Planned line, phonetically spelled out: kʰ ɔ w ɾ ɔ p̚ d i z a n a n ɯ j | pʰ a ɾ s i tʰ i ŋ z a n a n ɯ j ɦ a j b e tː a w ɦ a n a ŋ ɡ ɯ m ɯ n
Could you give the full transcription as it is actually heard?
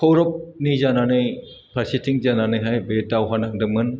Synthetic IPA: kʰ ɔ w ɾ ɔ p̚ n i z a n a n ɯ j | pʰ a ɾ s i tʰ i ŋ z a n a n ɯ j ɦ a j b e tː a w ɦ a n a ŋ d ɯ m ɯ n